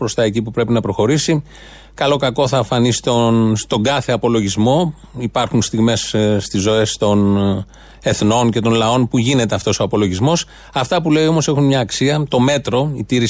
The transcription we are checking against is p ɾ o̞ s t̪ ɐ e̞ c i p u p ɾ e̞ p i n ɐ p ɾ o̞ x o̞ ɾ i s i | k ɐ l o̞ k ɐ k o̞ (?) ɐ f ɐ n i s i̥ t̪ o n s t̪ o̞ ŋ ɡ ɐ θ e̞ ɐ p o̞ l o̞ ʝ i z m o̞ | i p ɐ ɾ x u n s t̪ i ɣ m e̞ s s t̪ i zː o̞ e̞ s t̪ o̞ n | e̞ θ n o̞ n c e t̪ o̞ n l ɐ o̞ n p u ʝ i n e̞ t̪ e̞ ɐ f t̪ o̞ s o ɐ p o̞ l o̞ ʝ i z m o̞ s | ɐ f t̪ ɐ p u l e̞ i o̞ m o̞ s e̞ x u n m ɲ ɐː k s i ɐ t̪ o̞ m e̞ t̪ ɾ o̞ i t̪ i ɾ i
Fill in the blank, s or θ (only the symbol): θ